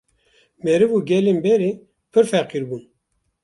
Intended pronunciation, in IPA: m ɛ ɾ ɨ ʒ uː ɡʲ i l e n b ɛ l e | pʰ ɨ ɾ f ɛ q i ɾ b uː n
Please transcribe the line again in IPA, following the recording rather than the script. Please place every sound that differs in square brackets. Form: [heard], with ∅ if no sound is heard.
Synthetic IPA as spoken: m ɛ ɾ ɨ [v] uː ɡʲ [ɛ] l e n b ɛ [ɾ] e | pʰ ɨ ɾ f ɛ q i ɾ b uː n